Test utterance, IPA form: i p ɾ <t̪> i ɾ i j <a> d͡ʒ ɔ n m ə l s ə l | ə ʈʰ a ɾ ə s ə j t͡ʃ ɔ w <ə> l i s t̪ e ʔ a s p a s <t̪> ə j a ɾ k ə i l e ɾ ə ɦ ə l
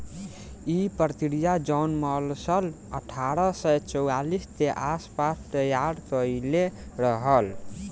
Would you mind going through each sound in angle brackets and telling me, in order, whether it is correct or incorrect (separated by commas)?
correct, correct, incorrect, correct